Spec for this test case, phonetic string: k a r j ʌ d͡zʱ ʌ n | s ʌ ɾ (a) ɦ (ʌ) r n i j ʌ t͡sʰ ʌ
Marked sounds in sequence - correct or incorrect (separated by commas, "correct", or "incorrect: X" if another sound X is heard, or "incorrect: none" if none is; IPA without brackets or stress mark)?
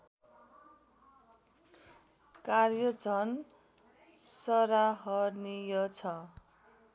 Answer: correct, correct